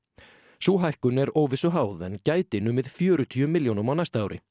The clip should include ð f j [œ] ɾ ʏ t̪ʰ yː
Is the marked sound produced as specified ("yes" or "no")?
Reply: no